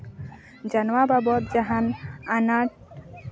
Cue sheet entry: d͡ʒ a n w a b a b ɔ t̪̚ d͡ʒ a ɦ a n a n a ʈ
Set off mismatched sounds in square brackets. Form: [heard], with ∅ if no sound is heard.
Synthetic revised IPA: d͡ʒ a n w a b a b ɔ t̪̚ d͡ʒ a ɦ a n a n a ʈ

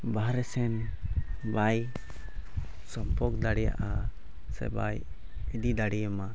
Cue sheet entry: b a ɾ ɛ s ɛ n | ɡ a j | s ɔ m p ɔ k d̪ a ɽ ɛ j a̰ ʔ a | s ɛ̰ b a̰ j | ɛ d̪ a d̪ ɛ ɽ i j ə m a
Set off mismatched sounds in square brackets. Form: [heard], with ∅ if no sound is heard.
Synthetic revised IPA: b a ɾ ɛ s ɛ n | [b] a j | s ɔ m p ɔ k d̪ a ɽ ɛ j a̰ ʔ a | s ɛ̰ b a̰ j | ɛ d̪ [i] d̪ [a] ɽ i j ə m a

